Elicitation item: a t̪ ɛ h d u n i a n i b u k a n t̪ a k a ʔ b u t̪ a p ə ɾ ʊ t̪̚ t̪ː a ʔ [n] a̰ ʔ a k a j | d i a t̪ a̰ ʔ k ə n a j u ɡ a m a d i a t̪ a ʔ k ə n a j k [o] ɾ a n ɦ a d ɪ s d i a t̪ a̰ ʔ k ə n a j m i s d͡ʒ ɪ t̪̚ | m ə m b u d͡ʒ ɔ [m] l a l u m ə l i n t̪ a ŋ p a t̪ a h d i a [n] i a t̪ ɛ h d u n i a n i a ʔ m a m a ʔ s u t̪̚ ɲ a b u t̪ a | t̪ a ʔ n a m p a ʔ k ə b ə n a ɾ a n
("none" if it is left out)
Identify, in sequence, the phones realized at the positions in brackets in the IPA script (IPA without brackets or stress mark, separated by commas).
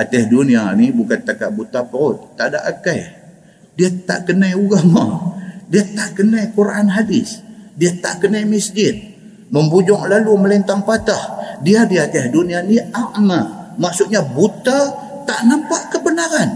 d, u, ŋ, d